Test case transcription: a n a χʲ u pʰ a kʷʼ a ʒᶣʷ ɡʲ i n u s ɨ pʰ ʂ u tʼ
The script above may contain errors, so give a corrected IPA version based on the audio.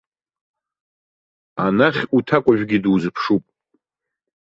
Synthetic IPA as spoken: a n a χʲ u tʰ a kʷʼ a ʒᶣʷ ɡʲ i d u z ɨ pʰ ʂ u pʼ

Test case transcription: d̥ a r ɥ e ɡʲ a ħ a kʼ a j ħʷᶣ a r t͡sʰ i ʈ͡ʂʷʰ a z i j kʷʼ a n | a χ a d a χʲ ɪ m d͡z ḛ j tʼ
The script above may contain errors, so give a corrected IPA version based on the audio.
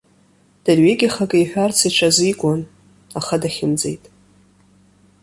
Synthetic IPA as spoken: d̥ a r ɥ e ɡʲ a χ a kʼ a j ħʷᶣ a r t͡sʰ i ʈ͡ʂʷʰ a z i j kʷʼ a n | a χ a d a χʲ ɪ m d͡z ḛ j tʼ

